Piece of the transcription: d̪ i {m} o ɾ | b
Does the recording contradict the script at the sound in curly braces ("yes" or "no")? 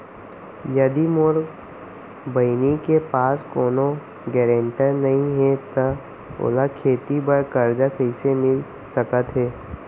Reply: no